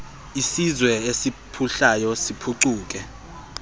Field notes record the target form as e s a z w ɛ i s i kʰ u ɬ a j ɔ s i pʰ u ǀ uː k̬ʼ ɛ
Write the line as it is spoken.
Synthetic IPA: i s i z w ɛ e s i pʰ u ɬ a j ɔ s i pʰ u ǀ uː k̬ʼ ɛ